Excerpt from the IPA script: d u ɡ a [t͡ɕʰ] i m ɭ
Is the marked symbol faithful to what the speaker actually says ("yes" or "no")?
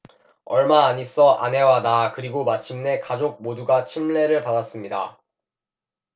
yes